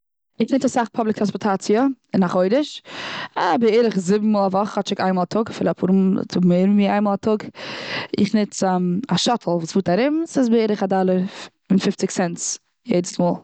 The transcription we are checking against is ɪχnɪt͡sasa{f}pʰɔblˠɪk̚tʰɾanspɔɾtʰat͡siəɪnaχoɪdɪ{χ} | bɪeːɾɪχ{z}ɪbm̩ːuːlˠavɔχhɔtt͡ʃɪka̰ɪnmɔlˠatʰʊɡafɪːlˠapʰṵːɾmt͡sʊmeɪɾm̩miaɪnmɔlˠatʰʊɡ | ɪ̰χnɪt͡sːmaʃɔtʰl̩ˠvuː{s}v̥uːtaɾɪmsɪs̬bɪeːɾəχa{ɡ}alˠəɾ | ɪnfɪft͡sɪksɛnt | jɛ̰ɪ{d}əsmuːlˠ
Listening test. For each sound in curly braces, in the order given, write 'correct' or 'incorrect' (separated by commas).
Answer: incorrect, incorrect, correct, correct, incorrect, correct